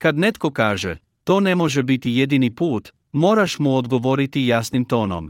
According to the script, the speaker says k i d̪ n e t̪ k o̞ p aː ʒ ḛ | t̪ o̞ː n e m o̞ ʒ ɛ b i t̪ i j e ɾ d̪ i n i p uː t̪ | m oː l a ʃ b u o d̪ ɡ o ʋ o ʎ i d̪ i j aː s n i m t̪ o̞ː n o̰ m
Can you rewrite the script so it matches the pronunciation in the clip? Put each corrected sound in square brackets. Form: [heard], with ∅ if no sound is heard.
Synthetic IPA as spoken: k [a] d̪ n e t̪ k o̞ [k] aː ʒ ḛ | t̪ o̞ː n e m o̞ ʒ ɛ b i t̪ i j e [∅] d̪ i n i p uː t̪ | m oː [ɾ] a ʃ [m] u o d̪ ɡ o ʋ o [ɾ] i [t̪] i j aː s n i m t̪ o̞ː n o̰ m